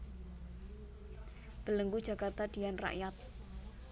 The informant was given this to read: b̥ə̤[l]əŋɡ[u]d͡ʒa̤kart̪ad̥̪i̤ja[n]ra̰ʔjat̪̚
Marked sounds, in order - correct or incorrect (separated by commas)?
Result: correct, correct, correct